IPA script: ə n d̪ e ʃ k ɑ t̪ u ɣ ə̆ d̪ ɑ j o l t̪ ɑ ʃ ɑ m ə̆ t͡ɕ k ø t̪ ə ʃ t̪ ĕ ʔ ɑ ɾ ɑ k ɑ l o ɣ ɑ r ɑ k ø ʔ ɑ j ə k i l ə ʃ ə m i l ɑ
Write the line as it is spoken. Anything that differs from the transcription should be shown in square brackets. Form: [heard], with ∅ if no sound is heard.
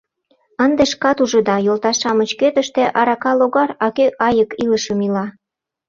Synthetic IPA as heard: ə n d̪ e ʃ k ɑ t̪ u [ʒ] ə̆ d̪ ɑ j o l t̪ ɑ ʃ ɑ m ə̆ t͡ɕ k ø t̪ ə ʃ t̪ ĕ ʔ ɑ ɾ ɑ k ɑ l o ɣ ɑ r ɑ k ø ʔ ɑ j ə k i l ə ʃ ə m i l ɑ